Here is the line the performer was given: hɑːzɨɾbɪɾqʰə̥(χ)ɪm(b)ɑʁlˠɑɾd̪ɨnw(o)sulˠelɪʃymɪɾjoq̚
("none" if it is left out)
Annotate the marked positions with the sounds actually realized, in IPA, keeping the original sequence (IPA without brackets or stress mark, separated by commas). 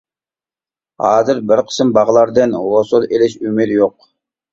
s, b, o